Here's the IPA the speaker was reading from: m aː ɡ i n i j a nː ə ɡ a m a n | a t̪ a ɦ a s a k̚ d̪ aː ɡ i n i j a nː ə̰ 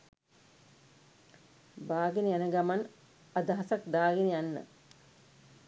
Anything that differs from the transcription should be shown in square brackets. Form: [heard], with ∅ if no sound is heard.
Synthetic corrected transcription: [b] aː ɡ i n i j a [n] ə ɡ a m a n | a [d̪] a ɦ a s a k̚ d̪ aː ɡ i n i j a nː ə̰